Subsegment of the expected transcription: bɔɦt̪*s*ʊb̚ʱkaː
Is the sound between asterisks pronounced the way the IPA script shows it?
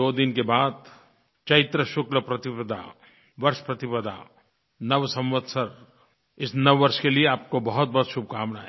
no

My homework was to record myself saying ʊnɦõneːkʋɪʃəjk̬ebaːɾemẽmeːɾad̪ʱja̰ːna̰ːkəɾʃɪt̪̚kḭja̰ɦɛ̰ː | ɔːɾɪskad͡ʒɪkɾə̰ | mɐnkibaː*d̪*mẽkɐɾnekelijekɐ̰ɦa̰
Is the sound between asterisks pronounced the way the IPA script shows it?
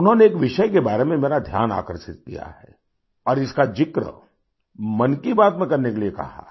no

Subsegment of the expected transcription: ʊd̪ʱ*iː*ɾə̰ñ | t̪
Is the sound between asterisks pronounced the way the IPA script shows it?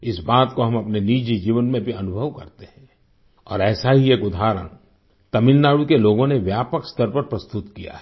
no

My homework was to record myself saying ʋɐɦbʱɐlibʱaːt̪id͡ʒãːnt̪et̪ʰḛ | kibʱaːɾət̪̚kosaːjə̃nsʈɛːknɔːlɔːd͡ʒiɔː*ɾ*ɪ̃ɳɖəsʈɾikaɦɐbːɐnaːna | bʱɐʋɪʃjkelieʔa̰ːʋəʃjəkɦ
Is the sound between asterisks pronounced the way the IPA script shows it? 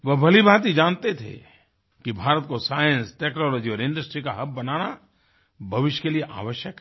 yes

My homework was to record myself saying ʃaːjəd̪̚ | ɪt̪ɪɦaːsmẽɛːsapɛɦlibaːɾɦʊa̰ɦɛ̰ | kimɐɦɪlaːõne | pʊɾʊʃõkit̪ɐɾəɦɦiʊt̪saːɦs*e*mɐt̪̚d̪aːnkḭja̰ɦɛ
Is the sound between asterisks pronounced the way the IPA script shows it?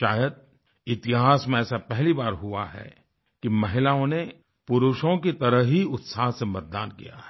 yes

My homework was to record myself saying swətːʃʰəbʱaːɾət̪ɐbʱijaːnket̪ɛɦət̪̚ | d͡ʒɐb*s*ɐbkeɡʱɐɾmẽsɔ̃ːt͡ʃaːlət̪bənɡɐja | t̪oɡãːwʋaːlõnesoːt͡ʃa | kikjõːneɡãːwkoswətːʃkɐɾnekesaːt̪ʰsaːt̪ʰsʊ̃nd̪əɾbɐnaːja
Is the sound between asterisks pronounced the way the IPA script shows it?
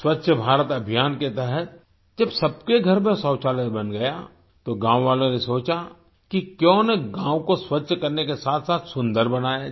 yes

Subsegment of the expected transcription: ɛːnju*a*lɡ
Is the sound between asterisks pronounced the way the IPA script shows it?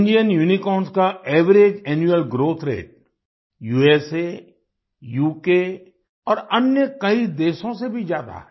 no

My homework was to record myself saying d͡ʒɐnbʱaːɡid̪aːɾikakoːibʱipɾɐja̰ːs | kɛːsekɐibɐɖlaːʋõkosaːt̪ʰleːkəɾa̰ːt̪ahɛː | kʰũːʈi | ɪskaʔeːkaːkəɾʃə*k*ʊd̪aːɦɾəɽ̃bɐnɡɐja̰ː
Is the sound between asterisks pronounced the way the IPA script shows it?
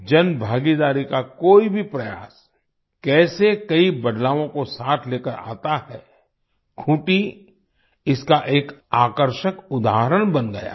yes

